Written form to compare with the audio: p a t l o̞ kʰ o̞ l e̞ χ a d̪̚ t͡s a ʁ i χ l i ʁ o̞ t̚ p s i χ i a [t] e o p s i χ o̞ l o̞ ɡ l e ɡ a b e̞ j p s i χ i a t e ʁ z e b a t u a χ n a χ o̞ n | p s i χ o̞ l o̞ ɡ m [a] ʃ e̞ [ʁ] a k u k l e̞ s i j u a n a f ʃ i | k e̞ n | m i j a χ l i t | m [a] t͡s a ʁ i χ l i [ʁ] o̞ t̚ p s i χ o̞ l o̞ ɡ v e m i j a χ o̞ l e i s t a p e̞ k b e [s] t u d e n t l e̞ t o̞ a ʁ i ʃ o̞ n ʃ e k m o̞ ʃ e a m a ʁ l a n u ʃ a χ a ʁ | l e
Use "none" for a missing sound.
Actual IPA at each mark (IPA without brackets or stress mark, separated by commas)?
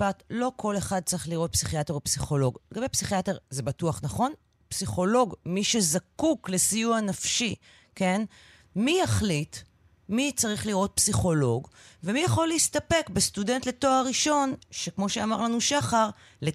t, i, z, i, ʁ, s